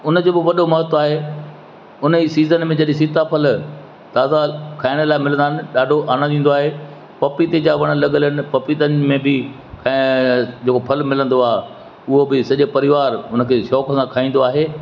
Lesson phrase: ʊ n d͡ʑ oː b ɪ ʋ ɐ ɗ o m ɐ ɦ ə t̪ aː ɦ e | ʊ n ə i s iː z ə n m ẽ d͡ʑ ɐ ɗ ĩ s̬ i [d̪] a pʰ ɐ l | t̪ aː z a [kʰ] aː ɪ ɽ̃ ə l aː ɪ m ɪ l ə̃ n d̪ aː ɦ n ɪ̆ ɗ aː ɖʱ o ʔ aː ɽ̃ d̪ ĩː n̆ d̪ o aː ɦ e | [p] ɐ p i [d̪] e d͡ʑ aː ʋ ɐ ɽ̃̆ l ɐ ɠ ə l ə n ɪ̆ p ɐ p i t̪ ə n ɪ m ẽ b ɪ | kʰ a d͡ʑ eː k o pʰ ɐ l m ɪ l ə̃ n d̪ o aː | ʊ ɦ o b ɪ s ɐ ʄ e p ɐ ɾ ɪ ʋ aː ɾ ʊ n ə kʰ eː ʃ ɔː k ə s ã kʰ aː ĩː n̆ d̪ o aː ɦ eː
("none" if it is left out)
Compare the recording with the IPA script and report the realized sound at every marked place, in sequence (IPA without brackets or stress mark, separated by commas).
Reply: t̪, kʰ, p, t̪